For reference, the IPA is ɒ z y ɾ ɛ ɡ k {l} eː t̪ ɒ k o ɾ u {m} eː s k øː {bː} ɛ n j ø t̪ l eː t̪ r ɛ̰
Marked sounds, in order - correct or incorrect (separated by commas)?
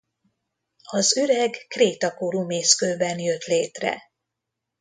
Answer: incorrect, correct, incorrect